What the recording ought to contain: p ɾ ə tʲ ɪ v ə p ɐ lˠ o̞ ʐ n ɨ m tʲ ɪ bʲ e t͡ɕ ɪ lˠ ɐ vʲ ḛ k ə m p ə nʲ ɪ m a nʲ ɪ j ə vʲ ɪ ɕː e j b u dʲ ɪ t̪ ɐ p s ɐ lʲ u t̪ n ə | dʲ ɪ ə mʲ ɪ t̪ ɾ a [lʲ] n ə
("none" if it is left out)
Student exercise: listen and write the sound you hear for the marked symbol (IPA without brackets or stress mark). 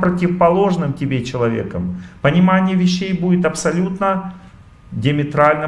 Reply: lʲ